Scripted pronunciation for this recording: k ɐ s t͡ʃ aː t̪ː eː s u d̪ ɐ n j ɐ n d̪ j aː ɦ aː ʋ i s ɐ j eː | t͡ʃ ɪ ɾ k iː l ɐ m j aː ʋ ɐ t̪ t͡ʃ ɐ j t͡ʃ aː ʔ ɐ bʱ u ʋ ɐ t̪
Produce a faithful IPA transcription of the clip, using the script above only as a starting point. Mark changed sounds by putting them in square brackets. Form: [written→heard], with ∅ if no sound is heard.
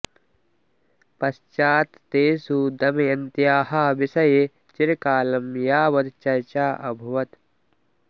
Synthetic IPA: [k→p] ɐ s t͡ʃ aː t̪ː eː s u d̪ ɐ [n→m] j ɐ n [d̪→t̪] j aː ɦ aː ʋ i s ɐ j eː | t͡ʃ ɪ ɾ k [iː→aː] l ɐ m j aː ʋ ɐ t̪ t͡ʃ ɐ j t͡ʃ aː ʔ ɐ bʱ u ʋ ɐ t̪